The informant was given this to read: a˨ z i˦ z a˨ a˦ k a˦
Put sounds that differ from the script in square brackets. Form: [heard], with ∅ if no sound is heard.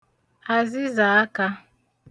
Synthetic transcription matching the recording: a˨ z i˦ z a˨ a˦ k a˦